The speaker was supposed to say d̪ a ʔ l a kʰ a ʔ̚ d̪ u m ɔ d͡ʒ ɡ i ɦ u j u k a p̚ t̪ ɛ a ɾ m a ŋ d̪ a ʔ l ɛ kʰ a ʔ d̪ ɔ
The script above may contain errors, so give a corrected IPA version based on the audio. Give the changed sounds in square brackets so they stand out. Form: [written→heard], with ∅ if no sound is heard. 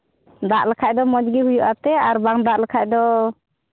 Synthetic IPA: d̪ a ʔ l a kʰ a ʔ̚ d̪ [u→ɔ] m ɔ d͡ʒ ɡ i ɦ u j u [k→ʔ] a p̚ t̪ ɛ a ɾ [m→b] a ŋ d̪ a ʔ l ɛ kʰ a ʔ d̪ ɔ